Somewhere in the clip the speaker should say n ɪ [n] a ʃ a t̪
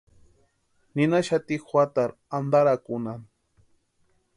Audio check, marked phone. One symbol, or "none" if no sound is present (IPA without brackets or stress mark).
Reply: n